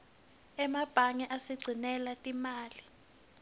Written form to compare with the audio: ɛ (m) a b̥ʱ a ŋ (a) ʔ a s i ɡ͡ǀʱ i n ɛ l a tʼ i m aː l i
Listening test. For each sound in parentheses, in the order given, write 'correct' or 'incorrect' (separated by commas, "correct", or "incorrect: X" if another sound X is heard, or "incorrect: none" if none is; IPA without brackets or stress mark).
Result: correct, incorrect: ɛ